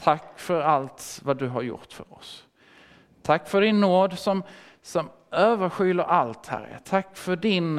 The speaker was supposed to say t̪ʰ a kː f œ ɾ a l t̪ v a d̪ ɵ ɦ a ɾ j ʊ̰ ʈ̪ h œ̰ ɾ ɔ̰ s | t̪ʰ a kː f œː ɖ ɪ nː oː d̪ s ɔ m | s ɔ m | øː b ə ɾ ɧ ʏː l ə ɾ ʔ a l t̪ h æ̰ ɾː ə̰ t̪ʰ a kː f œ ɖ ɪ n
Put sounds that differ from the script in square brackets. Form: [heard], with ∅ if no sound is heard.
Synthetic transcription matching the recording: t̪ʰ a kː f œ ɾ a l t̪ v a d̪ ɵ ɦ a ɾ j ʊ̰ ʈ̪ [f] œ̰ ɾ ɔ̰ s | t̪ʰ a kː f [œ] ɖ ɪ nː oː d̪ s ɔ m | s ɔ m | øː [v] ə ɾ ɧ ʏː l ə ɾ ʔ a l t̪ h æ̰ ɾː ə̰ t̪ʰ a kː f œ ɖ ɪ n